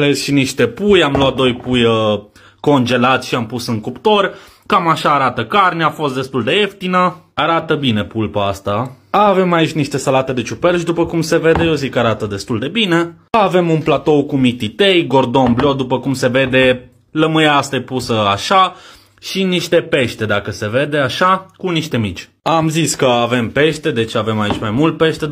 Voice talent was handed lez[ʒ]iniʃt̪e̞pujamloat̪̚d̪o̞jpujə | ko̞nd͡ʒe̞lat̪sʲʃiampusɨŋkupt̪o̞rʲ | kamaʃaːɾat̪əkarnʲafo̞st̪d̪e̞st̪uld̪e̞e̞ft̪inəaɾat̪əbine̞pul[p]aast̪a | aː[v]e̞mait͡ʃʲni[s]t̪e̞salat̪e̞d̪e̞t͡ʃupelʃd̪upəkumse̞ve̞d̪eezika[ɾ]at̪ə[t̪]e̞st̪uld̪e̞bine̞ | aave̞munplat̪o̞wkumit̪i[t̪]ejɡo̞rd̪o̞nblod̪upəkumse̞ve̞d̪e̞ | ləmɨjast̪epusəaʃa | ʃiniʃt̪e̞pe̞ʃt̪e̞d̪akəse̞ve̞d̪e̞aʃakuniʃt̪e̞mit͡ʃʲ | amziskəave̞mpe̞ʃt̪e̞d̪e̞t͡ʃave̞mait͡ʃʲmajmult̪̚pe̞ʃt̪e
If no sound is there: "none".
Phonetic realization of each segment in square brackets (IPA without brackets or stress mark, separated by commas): ʃ, p, v, ʃ, ɾ, d̪, t̪